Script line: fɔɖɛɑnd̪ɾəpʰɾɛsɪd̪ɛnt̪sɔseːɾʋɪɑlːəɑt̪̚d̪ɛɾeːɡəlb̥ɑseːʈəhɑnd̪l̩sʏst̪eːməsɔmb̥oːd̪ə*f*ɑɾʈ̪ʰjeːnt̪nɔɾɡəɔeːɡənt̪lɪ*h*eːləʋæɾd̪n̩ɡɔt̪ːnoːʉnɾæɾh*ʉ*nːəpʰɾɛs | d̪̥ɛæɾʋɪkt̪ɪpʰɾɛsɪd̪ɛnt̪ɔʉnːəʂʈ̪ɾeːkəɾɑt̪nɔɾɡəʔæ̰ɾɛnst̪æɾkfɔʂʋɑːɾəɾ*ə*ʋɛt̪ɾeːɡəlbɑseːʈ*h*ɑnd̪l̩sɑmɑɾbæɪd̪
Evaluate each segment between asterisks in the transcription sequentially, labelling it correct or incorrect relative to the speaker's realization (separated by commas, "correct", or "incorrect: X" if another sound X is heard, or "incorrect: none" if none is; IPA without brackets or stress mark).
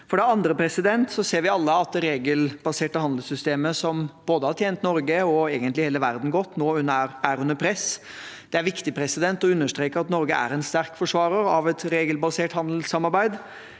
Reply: incorrect: h, correct, correct, incorrect: ɑ, correct